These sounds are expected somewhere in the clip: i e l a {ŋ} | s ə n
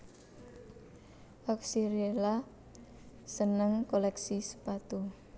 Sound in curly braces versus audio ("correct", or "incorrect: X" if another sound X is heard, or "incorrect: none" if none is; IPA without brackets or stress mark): incorrect: none